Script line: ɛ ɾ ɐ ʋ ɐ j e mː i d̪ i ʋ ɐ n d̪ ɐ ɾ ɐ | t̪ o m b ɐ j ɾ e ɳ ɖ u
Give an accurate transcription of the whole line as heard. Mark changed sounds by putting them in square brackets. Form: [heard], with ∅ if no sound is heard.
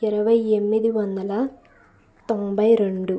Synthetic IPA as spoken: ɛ ɾ ɐ ʋ ɐ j e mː i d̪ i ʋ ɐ n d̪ ɐ [l] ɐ | t̪ o m b ɐ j ɾ e ɳ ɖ u